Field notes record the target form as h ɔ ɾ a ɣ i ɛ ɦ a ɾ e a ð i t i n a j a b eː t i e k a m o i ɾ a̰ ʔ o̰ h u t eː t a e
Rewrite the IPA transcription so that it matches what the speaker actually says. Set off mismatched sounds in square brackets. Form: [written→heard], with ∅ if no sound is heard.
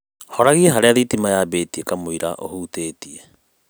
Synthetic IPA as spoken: h ɔ ɾ a ɣ i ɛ ɦ a ɾ e a ð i t i [n→m] a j a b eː t i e k a m o i ɾ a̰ ʔ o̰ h u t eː t [a→i] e